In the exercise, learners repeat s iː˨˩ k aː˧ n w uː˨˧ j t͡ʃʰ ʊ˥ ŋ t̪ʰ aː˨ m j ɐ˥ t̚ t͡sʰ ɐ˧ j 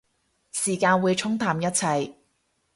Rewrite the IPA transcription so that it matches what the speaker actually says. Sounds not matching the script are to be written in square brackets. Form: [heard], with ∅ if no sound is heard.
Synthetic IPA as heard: s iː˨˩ k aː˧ n w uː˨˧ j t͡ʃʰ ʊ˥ ŋ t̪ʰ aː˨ m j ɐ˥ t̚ t͡sʰ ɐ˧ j